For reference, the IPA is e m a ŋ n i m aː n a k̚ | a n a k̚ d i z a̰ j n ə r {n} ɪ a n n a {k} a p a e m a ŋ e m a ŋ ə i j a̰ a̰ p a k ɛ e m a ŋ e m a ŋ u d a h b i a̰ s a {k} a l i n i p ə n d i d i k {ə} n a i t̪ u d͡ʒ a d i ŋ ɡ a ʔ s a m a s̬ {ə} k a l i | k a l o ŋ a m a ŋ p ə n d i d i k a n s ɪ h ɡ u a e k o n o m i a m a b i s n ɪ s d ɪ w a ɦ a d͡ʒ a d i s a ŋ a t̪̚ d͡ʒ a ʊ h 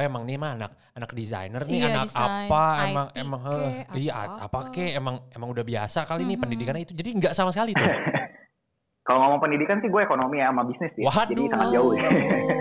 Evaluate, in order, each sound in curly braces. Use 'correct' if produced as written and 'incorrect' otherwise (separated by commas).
correct, correct, correct, incorrect, correct